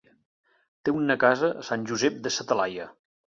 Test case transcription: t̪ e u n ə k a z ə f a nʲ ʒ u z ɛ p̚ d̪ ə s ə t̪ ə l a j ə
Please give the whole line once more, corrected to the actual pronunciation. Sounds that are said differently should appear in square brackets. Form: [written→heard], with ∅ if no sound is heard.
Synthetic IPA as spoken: t̪ e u n ə k a z ə [f→s] a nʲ ʒ u z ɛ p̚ d̪ ə s ə t̪ ə l a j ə

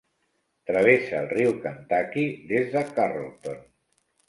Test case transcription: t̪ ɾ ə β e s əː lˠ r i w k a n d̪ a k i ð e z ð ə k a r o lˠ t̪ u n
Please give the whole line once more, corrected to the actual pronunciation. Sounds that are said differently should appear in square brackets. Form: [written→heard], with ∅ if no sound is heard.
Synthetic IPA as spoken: t̪ ɾ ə β e s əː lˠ r i w k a n [d̪→t̪] a k i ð e z ð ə k a r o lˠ t̪ [u→o] n

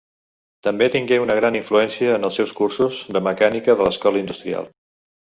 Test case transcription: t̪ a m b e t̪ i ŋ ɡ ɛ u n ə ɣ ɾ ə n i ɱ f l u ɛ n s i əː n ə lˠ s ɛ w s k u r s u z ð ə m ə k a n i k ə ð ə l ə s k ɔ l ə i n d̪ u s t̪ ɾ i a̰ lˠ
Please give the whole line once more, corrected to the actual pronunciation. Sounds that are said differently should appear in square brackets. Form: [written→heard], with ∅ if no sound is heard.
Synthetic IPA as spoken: t̪ [a→ə] m b e t̪ i ŋ ɡ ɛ u n ə ɣ ɾ [ə→a] n i ɱ f l u ɛ n s i əː n ə lˠ s ɛ w s k u r s u z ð ə m ə k a n i k ə ð ə l ə s k ɔ l ə i n d̪ u s t̪ ɾ i a̰ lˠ

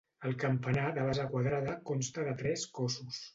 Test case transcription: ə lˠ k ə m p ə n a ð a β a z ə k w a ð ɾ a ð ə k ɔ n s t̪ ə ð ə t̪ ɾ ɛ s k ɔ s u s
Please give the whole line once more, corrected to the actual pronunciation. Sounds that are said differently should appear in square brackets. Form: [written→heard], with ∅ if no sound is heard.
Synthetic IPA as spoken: ə lˠ k ə m p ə n a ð [a→ə] β a z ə k w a ð ɾ a ð ə k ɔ n s t̪ ə ð ə t̪ ɾ ɛ s k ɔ s u s

